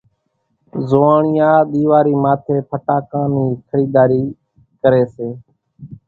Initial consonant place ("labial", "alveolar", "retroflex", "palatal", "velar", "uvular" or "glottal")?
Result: alveolar